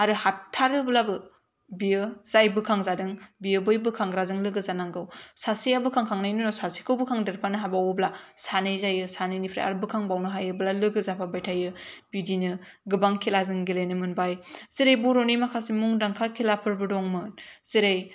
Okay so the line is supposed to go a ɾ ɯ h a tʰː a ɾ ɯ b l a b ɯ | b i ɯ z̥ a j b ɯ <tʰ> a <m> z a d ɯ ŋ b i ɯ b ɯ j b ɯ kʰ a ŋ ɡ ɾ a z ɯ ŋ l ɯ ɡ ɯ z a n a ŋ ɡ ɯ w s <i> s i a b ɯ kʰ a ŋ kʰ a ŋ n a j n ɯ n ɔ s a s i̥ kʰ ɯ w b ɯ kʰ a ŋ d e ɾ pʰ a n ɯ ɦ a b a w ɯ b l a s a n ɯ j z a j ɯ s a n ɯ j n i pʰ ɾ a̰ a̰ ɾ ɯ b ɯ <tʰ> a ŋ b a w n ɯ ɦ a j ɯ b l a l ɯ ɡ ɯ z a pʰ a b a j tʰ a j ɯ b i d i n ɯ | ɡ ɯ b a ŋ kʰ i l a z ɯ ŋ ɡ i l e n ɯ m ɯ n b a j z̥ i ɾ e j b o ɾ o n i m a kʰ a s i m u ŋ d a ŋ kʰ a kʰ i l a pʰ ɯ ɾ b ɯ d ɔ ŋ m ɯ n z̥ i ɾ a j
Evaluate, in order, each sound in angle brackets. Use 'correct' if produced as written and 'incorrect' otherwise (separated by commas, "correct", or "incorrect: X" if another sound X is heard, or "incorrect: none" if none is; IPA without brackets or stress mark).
incorrect: kʰ, incorrect: ŋ, incorrect: a, incorrect: kʰ